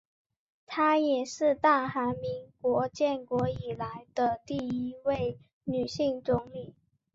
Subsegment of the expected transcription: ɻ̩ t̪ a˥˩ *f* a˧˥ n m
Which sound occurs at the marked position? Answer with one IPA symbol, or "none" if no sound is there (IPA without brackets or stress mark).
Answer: x